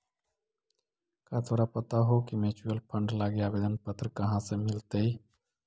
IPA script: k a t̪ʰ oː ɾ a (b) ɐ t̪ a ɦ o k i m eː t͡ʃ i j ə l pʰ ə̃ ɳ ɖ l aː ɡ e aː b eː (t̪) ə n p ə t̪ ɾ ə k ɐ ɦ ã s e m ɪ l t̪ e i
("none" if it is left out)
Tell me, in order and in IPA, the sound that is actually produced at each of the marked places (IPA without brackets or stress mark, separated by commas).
p, d̪